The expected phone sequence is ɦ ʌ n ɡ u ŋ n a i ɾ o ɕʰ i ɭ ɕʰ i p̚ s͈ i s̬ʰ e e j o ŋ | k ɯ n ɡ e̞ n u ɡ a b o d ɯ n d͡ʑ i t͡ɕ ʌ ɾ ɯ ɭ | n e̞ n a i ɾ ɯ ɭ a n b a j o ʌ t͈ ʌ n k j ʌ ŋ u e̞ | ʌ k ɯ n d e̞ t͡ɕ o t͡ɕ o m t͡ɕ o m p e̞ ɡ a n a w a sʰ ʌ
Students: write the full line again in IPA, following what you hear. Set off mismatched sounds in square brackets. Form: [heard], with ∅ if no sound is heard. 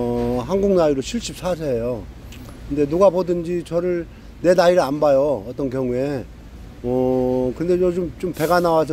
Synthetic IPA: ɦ [a] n ɡ u ŋ n a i ɾ o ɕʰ i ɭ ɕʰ i p̚ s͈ [a] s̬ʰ e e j o [∅] | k ɯ n [d] e̞ n u ɡ a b o d ɯ n d͡ʑ i t͡ɕ ʌ ɾ ɯ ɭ | n e̞ n a i ɾ ɯ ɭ a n b a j o ʌ t͈ ʌ n k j ʌ ŋ u e̞ | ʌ k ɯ n d e̞ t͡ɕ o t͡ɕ o m t͡ɕ o m p e̞ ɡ a n a w a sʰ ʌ